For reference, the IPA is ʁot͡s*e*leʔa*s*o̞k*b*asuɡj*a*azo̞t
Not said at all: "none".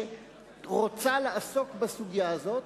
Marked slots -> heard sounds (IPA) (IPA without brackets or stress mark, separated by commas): a, s, b, a